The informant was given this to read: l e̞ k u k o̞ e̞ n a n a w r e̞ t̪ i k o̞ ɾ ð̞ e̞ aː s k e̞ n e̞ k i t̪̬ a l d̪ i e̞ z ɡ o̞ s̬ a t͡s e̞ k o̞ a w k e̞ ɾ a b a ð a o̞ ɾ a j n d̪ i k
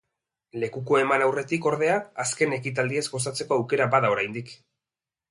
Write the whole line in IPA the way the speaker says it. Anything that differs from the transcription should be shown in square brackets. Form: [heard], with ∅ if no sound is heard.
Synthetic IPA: l e̞ k u k o̞ e̞ [m] a n a w r e̞ t̪ i k o̞ ɾ ð̞ e̞ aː s k e̞ n e̞ k i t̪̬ a l d̪ i e̞ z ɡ o̞ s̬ a t͡s e̞ k o̞ a w k e̞ ɾ a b a ð a o̞ ɾ a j n d̪ i k